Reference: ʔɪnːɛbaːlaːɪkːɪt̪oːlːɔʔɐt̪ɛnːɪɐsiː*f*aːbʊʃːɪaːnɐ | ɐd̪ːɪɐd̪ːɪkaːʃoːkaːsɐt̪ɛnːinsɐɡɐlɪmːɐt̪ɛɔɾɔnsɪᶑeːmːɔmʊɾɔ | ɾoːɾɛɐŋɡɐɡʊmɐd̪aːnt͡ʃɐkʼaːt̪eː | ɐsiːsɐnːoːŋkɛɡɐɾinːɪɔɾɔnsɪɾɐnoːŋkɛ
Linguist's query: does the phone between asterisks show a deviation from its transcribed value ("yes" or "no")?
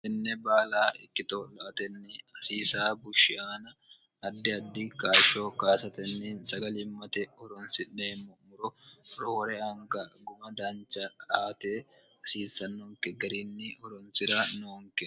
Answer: yes